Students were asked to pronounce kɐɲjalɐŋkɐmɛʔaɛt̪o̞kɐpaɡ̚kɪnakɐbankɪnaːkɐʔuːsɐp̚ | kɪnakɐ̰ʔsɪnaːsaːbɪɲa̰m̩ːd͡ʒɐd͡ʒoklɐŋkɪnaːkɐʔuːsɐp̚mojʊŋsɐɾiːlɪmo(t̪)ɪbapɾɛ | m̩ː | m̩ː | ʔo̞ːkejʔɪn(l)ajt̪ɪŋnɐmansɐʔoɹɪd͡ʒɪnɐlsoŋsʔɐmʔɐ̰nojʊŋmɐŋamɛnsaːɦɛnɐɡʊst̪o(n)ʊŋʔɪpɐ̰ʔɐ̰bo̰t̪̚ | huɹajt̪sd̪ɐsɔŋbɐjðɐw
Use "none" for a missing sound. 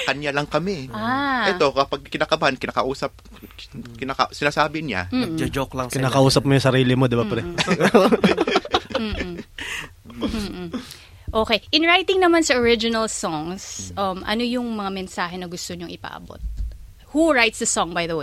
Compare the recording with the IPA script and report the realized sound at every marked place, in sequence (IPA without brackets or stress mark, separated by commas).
d̪, ɹ, ɲ